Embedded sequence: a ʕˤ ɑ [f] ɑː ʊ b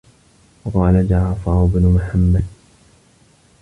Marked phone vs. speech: correct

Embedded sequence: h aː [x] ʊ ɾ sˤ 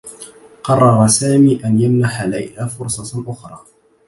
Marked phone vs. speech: incorrect: f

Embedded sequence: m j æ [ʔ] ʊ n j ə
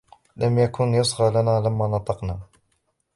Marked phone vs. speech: incorrect: k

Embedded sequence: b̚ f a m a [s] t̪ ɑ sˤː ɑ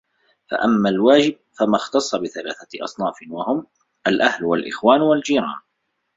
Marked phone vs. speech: incorrect: x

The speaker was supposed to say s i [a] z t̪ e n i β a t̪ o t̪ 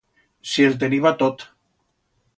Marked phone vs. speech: incorrect: e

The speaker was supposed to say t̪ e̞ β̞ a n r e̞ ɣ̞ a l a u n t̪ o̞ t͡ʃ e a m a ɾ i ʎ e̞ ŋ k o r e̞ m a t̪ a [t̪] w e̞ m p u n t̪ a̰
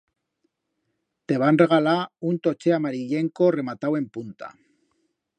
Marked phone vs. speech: incorrect: none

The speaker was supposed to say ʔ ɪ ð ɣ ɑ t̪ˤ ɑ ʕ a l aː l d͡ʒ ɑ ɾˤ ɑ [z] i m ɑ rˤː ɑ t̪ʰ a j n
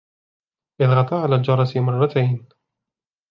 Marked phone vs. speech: incorrect: s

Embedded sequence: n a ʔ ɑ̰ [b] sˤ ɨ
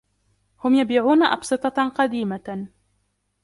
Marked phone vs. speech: correct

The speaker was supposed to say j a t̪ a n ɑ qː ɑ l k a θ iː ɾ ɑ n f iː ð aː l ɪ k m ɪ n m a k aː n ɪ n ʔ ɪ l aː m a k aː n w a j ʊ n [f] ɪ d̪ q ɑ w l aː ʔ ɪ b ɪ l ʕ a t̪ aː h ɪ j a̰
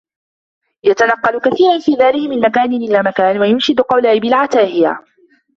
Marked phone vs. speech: incorrect: ʃ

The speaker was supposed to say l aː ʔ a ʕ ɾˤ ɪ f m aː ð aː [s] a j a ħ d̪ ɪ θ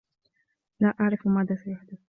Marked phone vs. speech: correct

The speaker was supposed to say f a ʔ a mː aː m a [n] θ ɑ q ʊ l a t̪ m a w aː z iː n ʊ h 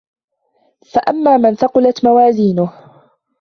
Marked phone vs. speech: correct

